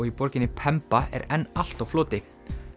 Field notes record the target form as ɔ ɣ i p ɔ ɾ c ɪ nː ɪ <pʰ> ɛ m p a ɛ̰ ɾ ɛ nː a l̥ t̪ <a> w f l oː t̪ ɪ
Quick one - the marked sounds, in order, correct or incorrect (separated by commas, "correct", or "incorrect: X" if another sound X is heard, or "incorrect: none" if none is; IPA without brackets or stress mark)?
correct, correct